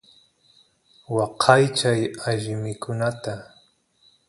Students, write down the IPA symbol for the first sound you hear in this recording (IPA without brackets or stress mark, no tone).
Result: w